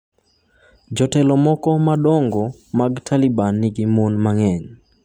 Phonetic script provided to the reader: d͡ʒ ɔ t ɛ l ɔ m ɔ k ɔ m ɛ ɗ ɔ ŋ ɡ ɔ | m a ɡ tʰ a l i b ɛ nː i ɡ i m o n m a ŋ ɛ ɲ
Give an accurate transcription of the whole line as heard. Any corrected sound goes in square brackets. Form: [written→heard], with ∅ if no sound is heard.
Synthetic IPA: d͡ʒ ɔ t ɛ l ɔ m ɔ k ɔ m [ɛ→a] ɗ ɔ ŋ ɡ ɔ | m a ɡ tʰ a l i b [ɛ→a] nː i ɡ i m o n m a ŋ ɛ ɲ